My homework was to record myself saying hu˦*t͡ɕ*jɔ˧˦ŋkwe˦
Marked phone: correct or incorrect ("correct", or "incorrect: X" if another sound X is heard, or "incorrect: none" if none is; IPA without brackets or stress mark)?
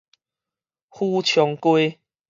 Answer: incorrect: t͡ɕʰ